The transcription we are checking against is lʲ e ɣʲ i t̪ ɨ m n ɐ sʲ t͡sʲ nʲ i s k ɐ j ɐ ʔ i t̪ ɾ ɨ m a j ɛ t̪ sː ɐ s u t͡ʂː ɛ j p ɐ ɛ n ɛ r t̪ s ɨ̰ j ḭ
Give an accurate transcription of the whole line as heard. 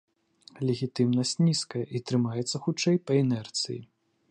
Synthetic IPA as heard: lʲ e ɣʲ i t̪ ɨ m n ɐ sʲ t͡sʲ nʲ i s k ɐ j ɐ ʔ i t̪ ɾ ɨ m a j ɛ t̪ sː ɐ x u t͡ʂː ɛ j p ɐ ɛ n ɛ r t̪ s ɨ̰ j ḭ